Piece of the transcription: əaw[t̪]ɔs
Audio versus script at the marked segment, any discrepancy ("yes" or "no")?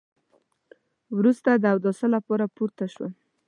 yes